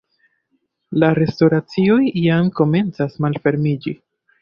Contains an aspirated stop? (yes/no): no